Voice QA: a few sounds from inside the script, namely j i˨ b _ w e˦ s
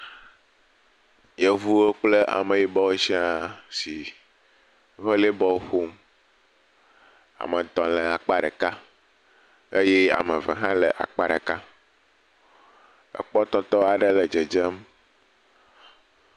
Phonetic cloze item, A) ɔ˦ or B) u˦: A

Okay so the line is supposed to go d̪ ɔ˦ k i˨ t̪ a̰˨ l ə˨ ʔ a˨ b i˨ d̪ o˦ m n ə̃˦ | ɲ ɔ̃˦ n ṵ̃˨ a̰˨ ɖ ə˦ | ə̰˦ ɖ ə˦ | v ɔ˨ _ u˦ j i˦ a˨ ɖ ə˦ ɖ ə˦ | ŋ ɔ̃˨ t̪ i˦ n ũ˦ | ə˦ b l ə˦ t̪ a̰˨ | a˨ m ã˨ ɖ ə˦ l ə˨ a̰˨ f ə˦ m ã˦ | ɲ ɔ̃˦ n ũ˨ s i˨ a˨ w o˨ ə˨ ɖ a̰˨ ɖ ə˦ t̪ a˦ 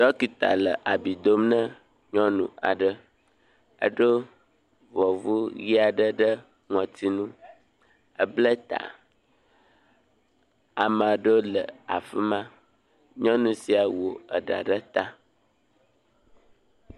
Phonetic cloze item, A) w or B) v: B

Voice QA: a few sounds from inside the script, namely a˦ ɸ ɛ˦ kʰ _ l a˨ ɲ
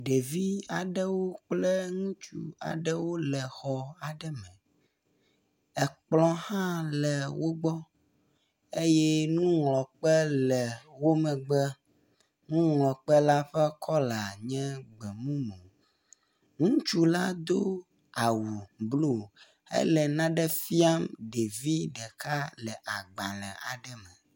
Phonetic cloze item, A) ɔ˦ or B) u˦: A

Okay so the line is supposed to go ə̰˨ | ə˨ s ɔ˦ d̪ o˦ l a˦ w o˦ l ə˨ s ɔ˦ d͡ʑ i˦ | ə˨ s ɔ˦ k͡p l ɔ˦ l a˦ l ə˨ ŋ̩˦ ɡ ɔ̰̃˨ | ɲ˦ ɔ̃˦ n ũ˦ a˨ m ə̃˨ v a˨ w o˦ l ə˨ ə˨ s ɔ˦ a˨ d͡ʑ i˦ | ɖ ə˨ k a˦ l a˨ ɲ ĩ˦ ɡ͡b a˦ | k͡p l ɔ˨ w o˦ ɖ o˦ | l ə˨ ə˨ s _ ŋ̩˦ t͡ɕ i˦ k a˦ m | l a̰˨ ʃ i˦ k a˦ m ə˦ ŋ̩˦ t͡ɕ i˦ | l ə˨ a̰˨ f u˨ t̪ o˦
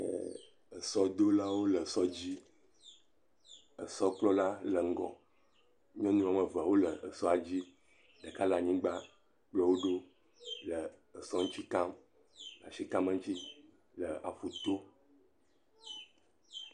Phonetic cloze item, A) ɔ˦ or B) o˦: A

